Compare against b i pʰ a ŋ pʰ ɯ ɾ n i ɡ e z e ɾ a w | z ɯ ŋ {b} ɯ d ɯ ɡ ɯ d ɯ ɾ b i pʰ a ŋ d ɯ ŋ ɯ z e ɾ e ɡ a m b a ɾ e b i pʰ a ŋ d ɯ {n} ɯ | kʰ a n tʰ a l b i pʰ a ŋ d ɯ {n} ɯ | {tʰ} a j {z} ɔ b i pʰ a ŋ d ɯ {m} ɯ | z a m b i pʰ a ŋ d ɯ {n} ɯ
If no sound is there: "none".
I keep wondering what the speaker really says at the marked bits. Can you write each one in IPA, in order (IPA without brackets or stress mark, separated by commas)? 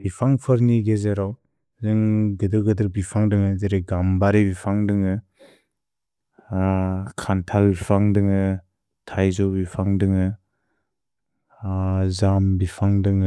ɡ, ŋ, ŋ, tʰ, z, ŋ, ŋ